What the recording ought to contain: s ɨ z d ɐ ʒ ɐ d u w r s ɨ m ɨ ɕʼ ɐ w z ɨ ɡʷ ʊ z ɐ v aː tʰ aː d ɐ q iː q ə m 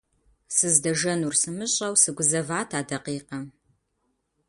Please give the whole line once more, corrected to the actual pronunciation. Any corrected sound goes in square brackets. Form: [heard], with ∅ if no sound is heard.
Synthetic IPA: s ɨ z d ɐ ʒ ɐ [n] u [∅] r s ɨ m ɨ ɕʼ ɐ w [s] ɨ ɡʷ ʊ z ɐ v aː tʰ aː d ɐ q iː q [ɐ] m